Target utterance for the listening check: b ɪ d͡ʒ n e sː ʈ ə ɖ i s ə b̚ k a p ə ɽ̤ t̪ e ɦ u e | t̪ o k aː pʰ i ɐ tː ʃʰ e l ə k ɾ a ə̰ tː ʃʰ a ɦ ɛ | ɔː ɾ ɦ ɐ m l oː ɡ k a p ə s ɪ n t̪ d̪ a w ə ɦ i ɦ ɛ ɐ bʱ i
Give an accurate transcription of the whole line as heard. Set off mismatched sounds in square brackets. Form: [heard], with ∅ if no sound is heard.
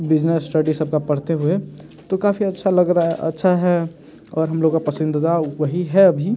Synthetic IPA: b ɪ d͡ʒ n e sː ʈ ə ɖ i s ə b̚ k a p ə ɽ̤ t̪ e ɦ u e | t̪ o k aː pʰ i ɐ tː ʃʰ [a] l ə [ɡ] ɾ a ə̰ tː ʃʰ a ɦ ɛ | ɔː ɾ ɦ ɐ m l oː ɡ k a p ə s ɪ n [d̪] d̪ a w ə ɦ i ɦ ɛ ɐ bʱ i